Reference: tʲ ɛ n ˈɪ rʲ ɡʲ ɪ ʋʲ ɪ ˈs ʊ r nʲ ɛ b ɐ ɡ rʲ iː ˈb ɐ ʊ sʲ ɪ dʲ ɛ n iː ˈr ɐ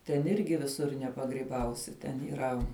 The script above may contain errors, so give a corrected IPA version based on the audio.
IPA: tʲ ɛ n ˈɪ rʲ ɡʲ ɪ ʋʲ ɪ ˈs ʊ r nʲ ɛ p ɐ ɡ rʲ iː ˈb ɐ ʊ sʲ ɪ tʲ ɛ n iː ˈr ɐ

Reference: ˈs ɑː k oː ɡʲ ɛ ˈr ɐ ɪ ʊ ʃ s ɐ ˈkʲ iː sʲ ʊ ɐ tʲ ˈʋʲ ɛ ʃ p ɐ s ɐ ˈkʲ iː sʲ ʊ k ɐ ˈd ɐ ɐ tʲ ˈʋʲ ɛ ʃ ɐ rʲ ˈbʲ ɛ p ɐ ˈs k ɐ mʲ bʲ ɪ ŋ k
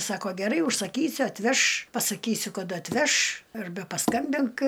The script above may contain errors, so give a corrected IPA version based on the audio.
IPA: ˈs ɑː k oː ɡʲ ɛ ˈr ɐ ɪ ʊ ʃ s ɐ ˈkʲ iː sʲ ʊ ɐ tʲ ˈʋʲ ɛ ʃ p ɐ s ɐ ˈkʲ iː sʲ ʊ k ɐ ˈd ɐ ɐ tʲ ˈʋʲ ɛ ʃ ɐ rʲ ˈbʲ ɛ p ɐ ˈs k ɐ mʲ bʲ ɪ ŋ k

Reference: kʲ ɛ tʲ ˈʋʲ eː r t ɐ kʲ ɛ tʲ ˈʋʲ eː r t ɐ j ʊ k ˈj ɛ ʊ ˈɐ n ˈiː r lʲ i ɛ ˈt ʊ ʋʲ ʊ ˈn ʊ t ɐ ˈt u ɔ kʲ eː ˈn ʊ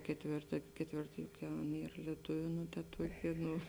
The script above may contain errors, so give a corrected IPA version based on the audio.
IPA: kʲ ɛ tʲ ˈʋʲ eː r t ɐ kʲ ɛ tʲ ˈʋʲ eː r t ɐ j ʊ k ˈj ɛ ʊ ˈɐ n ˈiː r lʲ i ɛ ˈt ʊ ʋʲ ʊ ˈn ʊ t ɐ ˈt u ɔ kʲ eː ˈn ʊ

